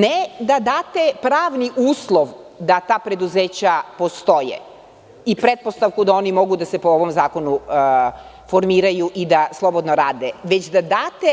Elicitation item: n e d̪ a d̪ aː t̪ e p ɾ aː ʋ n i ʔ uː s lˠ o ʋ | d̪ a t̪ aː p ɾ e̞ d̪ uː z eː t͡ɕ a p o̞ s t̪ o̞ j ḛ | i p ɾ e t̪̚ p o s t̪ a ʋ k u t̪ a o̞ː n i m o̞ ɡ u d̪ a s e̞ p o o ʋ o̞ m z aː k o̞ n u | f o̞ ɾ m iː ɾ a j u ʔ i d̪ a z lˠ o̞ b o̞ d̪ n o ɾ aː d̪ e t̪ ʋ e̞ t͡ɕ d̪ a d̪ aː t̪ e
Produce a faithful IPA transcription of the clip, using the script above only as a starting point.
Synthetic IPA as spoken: n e d̪ a d̪ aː t̪ e p ɾ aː ʋ n i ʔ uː s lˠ o ʋ | d̪ a t̪ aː p ɾ e̞ d̪ u z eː t͡ɕ a p o̞ s t̪ o̞ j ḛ | i p ɾ e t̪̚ p o s t̪ a ʋ k u d̪ a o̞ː n i m o̞ ɡ u d̪ a s e̞ p o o ʋ o̞ m z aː k o̞ n u | f o̞ ɾ m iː ɾ a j u ʔ i d̪ a s lˠ o̞ b o̞ d̪ n o ɾ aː d̪ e ʋ e̞ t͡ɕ d̪ a d̪ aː t̪ e